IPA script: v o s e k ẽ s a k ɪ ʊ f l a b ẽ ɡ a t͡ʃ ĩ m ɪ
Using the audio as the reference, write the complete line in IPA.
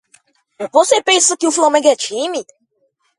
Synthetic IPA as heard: v o s e p ẽ s ɐ k ɪ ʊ f l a m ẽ ɡ ɛ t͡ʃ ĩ m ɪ